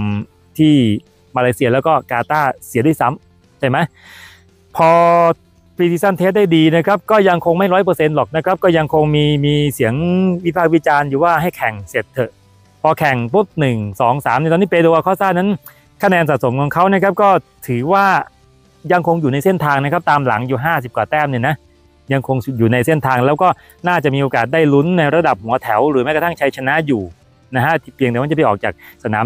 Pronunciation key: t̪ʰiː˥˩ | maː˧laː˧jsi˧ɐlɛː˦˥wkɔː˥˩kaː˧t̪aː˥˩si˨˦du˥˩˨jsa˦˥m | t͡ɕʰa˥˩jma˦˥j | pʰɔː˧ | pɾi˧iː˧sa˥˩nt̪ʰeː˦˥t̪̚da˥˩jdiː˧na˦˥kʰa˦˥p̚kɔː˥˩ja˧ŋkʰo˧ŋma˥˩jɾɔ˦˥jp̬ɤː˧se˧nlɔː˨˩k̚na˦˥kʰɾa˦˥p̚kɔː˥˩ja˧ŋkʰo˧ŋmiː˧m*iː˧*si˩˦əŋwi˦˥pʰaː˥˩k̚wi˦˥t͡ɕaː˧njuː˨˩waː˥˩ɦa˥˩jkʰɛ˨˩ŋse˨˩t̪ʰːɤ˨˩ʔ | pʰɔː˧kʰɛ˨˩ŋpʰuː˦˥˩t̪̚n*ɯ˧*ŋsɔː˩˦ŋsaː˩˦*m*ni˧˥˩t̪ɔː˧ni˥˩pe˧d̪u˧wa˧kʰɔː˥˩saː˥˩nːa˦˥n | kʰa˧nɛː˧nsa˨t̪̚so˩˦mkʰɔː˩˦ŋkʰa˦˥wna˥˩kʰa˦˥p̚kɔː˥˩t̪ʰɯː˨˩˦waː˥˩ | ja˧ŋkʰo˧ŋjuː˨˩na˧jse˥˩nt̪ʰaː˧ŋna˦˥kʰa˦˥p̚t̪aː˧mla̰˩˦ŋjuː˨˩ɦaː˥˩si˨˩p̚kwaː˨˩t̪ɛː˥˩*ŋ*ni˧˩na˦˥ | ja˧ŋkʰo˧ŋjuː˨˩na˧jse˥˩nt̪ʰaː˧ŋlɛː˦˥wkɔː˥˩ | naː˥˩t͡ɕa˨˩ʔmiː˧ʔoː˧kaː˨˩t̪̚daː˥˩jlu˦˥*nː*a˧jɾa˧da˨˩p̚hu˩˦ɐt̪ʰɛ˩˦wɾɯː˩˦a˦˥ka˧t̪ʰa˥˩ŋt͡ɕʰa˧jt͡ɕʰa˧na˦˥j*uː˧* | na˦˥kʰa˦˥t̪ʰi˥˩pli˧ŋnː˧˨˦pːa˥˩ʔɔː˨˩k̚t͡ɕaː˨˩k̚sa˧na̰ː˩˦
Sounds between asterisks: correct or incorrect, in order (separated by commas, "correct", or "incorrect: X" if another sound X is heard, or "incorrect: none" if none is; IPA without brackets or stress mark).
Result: correct, incorrect: ɯ˨˩, correct, incorrect: m, correct, incorrect: uː˨˩